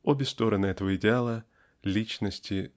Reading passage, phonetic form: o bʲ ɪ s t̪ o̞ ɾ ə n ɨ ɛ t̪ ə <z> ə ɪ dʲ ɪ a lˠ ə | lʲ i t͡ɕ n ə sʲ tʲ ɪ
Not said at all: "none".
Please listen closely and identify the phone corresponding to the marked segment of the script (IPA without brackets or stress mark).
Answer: v